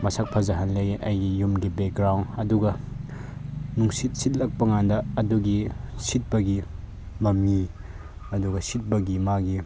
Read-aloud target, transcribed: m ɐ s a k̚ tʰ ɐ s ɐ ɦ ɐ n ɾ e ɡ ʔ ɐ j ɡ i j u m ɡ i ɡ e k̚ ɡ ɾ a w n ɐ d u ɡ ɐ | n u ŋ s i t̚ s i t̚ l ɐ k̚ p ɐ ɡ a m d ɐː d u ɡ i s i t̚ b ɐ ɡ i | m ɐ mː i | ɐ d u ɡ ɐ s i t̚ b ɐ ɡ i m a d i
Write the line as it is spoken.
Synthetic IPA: m ɐ s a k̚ pʰ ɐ z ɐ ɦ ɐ n l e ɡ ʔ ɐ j ɡ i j u m ɡ i b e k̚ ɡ ɾ a w n ɐ d u ɡ ɐ | n u ŋ s i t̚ s i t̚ l ɐ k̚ p ɐ ŋ a n d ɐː d u ɡ i s i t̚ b ɐ ɡ i | m ɐ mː i | ɐ d u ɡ ɐ s i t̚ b ɐ ɡ i m a ɡ i